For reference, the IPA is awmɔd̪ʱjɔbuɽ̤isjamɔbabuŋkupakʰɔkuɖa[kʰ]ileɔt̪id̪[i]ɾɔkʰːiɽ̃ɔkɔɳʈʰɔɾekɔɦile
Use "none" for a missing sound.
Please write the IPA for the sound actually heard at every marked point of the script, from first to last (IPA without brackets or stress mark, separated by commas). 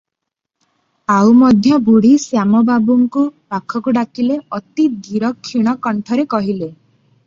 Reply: k, i